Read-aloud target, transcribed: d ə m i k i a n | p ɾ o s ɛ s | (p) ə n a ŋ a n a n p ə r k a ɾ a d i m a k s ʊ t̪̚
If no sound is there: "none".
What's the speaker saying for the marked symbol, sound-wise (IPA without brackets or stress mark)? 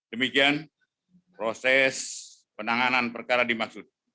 p